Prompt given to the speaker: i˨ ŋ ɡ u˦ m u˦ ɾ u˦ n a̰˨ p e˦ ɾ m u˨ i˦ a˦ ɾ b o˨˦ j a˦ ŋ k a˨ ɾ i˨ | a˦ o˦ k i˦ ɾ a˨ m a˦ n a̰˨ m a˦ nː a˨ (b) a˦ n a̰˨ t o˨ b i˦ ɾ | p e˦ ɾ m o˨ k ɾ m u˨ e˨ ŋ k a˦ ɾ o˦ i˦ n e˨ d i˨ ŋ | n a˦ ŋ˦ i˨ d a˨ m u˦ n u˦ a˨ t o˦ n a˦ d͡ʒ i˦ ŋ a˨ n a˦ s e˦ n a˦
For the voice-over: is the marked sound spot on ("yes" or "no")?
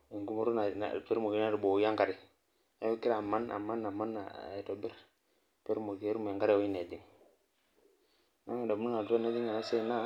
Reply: no